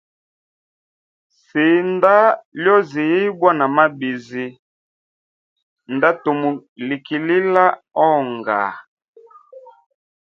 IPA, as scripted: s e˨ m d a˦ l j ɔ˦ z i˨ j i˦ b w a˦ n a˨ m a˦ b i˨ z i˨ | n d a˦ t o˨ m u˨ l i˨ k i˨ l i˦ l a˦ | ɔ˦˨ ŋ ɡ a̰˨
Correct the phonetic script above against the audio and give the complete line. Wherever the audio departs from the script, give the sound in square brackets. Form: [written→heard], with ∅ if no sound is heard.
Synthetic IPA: s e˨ [m→n] d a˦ l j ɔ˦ z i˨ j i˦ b w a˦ n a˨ m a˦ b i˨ z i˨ | n d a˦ t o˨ m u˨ l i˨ k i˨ l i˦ l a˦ | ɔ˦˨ ŋ ɡ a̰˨